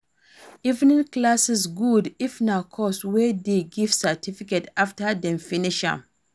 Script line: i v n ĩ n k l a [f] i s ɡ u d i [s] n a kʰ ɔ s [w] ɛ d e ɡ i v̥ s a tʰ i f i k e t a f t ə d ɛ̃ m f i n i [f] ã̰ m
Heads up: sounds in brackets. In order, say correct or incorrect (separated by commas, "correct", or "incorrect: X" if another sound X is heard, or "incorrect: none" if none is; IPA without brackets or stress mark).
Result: incorrect: s, incorrect: f, correct, incorrect: ʃ